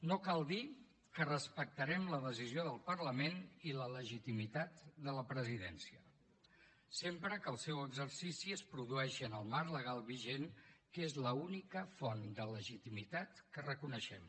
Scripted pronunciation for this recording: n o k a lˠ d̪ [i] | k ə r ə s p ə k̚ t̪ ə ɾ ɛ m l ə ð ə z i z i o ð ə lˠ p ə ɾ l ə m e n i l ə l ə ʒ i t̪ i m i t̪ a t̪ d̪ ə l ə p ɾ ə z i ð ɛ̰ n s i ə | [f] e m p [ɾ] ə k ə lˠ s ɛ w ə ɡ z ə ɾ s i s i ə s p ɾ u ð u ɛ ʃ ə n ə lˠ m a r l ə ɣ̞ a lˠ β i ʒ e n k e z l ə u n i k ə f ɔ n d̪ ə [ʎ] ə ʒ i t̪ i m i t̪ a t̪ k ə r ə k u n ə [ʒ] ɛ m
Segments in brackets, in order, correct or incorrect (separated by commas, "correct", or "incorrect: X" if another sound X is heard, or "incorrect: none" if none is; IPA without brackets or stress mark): correct, incorrect: s, correct, incorrect: l, incorrect: ʃ